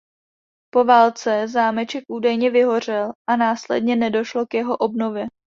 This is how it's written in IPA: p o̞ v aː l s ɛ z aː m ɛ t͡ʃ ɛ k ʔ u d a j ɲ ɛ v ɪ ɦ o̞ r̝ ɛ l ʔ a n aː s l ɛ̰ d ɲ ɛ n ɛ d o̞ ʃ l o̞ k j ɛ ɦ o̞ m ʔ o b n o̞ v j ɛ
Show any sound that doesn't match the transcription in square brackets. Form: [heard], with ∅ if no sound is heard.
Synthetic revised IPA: p o̞ v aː l [t͡s] ɛ z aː m ɛ t͡ʃ ɛ k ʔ [uː] d a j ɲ ɛ v ɪ ɦ o̞ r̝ ɛ l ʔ a n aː s l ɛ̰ d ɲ ɛ n ɛ d o̞ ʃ l o̞ k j ɛ ɦ o̞ [∅] ʔ o b n o̞ v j ɛ